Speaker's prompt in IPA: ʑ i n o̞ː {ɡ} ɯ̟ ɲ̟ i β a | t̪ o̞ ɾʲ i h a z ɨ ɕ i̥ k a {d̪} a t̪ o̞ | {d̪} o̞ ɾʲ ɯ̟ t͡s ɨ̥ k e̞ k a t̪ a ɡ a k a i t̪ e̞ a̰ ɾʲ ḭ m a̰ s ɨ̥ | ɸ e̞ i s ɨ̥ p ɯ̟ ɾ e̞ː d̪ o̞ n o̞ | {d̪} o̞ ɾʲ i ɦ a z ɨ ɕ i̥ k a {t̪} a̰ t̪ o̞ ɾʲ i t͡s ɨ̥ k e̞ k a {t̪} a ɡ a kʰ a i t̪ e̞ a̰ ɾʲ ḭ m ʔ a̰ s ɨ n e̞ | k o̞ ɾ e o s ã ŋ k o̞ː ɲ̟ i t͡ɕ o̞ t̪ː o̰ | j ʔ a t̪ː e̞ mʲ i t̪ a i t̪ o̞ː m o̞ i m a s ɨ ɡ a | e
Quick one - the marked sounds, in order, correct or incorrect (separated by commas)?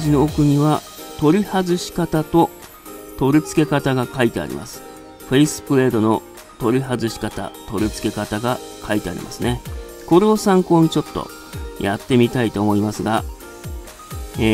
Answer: incorrect, incorrect, incorrect, incorrect, correct, correct